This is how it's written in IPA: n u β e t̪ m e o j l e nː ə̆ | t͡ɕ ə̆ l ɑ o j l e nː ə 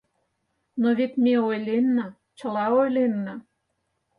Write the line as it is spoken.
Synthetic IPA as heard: n o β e t̪ m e o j l e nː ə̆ | t͡ɕ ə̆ l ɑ o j l e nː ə